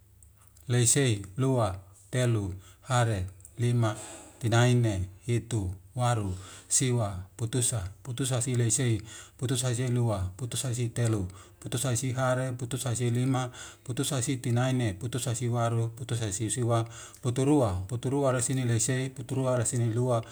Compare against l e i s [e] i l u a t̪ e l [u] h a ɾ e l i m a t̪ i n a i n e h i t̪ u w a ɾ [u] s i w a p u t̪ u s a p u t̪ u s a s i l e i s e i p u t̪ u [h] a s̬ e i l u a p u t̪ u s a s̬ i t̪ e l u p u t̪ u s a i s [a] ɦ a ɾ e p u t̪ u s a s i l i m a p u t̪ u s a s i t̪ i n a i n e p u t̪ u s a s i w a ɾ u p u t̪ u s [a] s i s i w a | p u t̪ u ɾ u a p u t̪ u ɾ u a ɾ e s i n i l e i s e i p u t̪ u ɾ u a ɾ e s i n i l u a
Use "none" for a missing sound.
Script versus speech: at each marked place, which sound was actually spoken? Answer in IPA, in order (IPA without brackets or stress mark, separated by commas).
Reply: e, u, u, s, i, a